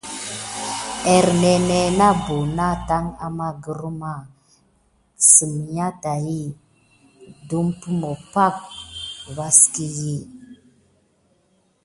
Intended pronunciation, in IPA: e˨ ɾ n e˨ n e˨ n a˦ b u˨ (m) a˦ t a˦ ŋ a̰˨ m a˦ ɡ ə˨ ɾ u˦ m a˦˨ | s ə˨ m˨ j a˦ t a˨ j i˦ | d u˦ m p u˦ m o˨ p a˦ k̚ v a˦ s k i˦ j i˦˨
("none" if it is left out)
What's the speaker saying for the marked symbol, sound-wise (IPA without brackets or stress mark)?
n